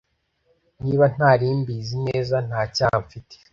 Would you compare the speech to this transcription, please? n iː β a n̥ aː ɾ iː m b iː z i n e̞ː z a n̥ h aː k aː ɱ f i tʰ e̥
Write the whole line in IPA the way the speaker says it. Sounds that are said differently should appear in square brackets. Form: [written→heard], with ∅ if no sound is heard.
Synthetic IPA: n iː β a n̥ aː ɾ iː m b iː z i n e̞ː z a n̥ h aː [k→c] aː ɱ f i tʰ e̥